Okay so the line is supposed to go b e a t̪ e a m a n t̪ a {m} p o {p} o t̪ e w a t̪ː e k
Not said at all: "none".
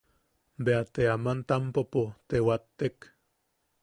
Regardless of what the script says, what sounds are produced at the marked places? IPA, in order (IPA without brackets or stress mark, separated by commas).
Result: m, p